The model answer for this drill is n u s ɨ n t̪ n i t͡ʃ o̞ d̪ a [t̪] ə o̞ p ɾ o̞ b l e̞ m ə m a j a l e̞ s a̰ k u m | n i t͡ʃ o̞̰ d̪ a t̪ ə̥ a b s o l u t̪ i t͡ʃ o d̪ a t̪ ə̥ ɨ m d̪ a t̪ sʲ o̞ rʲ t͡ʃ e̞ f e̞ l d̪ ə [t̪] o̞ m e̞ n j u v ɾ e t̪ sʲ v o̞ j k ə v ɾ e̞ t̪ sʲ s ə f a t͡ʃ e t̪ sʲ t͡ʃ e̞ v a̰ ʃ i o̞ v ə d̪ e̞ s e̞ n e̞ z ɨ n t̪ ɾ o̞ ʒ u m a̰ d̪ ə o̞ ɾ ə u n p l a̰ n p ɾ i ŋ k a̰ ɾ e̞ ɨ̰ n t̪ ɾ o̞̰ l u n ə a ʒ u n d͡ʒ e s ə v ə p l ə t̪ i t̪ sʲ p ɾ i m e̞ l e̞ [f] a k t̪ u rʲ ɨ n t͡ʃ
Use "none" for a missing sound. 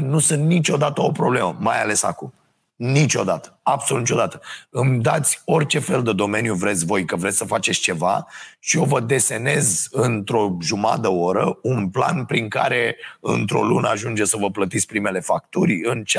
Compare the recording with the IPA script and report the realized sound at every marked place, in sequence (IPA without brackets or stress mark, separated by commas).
t̪, d̪, f